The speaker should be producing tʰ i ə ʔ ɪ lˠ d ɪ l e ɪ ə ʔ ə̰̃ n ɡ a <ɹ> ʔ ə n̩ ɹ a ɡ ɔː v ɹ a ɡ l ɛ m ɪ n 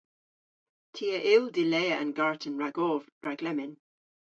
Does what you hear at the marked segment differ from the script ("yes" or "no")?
no